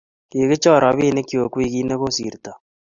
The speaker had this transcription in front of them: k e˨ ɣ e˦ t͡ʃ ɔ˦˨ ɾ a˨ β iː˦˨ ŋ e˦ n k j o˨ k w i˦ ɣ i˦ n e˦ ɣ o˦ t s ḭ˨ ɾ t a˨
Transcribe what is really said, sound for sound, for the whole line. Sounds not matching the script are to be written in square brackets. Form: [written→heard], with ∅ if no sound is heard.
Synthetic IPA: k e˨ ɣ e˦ t͡ʃ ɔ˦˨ ɾ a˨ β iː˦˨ [ŋ→n] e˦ [n→∅] k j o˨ k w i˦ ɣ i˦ n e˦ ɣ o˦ [t→∅] s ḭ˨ ɾ t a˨

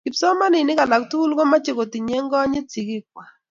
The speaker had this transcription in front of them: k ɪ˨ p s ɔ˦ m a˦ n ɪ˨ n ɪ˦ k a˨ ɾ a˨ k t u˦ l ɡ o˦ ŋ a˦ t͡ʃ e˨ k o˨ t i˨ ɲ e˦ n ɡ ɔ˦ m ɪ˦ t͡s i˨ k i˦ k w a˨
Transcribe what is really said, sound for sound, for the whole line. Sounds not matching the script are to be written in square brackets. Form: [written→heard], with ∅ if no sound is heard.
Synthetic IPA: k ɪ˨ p s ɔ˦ m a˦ n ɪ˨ n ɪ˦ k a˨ [ɾ→l] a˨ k t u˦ l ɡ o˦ [ŋ→m] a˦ t͡ʃ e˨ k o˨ t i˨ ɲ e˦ [n→ŋ] ɡ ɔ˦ [m→ɲ] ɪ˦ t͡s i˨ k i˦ k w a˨

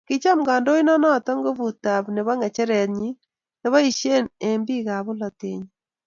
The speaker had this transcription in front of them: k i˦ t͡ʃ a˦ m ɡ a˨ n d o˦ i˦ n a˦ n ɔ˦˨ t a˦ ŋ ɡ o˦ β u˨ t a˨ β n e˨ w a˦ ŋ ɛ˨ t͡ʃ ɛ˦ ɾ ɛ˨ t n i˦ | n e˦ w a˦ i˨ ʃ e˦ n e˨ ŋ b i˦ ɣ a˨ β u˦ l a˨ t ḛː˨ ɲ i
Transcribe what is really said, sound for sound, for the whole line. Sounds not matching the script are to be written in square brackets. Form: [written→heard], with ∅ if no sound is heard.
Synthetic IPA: k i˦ t͡ʃ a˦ m ɡ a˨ n d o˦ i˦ n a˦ n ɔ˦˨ t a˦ ŋ ɡ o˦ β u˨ t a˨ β n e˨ [w→β] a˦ ŋ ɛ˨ t͡ʃ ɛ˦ ɾ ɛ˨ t [n→ɲ] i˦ | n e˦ [w→β] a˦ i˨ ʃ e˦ n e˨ [ŋ→m] b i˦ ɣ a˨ β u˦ l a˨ t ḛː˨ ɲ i

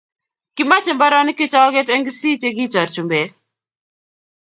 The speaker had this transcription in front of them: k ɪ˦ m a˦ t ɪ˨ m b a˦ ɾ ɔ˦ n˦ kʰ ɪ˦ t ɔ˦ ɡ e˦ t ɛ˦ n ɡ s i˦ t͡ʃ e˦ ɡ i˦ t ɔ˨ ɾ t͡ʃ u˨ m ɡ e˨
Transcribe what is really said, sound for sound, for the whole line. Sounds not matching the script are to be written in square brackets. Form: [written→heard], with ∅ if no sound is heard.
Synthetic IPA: k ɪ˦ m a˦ [t→t͡ʃ] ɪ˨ m b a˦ ɾ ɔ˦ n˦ [kʰ→k] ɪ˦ [t→t͡ʃ] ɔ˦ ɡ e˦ t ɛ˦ [n→ŋ] ɡ s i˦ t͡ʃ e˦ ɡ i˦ [t→t͡ʃ] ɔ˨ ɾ t͡ʃ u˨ m [ɡ→b] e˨

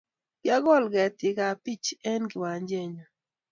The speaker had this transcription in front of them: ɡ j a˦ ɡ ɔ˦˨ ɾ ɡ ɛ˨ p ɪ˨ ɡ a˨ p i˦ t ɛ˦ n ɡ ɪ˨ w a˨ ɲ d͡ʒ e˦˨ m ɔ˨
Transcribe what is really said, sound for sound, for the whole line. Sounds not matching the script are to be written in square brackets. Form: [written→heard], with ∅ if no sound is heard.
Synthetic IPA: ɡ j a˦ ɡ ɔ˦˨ [ɾ→l] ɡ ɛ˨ [p→t] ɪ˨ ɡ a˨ p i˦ [t→t͡ʃ] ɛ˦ n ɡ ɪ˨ w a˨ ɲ d͡ʒ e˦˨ [m→ɲ] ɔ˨

